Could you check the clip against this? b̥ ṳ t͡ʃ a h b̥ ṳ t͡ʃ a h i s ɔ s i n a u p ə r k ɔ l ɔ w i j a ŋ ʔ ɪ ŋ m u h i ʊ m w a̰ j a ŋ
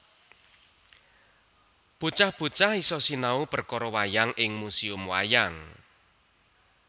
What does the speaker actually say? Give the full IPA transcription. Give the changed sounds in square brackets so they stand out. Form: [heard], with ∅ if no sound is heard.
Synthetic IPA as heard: b̥ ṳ t͡ʃ a h b̥ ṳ t͡ʃ a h i s ɔ s i n a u p ə r k ɔ [ɾ] ɔ w [a] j a ŋ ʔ ɪ ŋ m u [s] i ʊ m w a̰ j a ŋ